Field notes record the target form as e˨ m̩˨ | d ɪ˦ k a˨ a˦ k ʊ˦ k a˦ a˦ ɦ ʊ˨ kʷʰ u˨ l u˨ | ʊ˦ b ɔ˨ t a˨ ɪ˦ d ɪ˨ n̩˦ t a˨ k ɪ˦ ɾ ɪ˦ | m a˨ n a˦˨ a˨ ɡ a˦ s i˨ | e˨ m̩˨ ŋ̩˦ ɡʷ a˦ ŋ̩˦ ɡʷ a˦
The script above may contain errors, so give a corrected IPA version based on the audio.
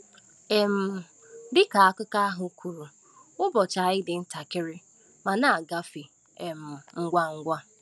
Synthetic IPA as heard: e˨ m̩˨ | d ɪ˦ k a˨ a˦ k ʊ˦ k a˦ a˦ ɦ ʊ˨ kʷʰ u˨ ɾ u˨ | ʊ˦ b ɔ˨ t͡ʃ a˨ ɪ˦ d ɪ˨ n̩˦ t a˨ k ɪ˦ ɾ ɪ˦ | m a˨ n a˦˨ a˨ ɡ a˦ f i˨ | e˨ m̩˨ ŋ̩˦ ɡʷ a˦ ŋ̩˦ ɡʷ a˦

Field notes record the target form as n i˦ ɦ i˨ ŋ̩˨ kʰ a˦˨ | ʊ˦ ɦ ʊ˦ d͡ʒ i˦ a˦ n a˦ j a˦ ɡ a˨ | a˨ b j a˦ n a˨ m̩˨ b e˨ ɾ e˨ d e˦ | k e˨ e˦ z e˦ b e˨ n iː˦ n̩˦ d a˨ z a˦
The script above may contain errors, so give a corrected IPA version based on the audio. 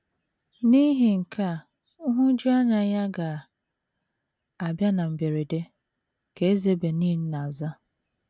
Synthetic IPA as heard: n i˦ ɦ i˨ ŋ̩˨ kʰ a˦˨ | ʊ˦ ɦ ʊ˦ d͡ʒ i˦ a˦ ɲ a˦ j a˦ ɡ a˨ | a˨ b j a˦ n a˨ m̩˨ b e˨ ɾ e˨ d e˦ | k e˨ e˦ z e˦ b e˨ n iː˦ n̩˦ n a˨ z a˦

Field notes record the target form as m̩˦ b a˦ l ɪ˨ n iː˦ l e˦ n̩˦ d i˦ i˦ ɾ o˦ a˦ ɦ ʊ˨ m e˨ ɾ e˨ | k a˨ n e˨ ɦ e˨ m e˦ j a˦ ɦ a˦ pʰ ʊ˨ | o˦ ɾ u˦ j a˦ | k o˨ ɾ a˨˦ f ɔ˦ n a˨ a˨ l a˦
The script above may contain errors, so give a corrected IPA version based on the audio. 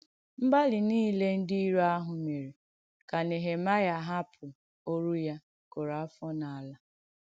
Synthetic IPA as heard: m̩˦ b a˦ l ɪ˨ n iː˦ l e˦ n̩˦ d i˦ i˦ ɾ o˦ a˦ ɦ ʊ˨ m e˨ ɾ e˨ | k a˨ n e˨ ɦ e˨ m a˦ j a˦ ɦ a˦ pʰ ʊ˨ | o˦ ɾ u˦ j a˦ | k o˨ ɾ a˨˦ f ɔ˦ n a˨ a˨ l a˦

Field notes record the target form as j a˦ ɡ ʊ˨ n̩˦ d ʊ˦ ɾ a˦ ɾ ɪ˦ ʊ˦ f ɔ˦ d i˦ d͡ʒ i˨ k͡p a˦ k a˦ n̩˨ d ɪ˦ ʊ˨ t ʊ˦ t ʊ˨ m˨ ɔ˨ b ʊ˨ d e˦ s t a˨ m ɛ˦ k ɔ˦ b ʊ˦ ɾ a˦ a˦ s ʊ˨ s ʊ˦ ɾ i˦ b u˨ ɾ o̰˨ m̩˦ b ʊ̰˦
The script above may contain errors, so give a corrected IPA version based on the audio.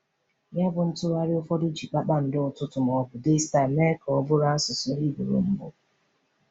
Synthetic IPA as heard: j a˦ b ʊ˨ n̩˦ t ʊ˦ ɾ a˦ ɾ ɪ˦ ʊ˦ f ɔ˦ d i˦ d͡ʒ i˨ k͡p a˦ k͡p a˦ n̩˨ d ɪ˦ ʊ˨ t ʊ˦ t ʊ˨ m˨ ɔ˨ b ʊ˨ d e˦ s t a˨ m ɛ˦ k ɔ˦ b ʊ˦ ɾ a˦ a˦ s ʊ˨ s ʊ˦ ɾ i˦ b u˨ ɾ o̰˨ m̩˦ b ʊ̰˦

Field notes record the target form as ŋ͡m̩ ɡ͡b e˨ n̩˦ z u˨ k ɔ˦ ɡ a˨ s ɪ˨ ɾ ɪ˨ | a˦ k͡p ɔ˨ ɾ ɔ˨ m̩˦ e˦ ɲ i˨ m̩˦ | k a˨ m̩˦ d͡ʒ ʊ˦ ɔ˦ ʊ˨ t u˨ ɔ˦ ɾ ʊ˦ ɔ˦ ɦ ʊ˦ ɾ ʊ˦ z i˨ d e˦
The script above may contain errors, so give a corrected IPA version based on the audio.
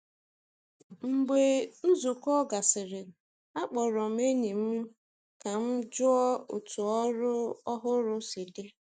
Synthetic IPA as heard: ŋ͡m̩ ɡ͡b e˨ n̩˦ z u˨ k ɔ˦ ɡ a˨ s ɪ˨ ɾ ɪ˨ | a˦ k͡p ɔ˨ ɾ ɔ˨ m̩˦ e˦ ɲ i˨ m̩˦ | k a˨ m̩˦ d͡ʒ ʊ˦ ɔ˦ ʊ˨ t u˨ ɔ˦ ɾ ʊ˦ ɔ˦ ɦ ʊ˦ ɾ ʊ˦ s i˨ d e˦

